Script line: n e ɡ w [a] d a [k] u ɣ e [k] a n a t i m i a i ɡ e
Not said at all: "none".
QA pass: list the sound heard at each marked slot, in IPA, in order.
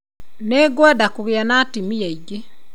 ɛ, k, none

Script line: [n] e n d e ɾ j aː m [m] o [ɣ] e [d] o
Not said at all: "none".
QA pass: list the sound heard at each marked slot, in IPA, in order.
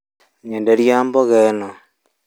ɲ, b, ɣ, n

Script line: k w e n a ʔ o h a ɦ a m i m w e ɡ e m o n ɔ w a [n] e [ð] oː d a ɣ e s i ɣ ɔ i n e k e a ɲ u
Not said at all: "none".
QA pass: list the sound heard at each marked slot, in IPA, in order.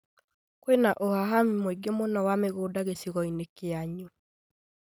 m, ɣ

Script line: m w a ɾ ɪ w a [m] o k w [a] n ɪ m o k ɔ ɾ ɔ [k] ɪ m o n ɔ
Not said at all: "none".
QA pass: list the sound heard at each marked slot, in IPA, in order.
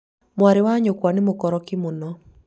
ɲ, a, k

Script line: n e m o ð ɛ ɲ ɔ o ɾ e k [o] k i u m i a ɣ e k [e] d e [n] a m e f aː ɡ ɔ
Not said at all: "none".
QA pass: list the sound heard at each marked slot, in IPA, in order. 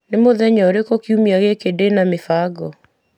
o, e, n

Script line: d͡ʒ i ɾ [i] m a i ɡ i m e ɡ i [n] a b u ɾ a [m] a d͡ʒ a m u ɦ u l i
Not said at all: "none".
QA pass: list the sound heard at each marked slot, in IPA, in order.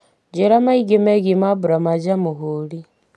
a, m, m

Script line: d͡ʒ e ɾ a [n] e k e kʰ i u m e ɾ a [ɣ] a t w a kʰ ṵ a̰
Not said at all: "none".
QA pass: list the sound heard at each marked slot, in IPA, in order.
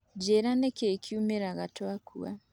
n, ɣ

